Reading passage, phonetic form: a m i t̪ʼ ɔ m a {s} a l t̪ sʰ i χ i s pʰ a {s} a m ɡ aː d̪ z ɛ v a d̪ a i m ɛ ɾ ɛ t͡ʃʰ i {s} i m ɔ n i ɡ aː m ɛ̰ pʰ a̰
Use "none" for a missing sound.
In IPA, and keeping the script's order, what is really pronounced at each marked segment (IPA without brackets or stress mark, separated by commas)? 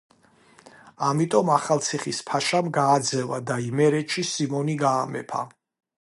χ, ʃ, s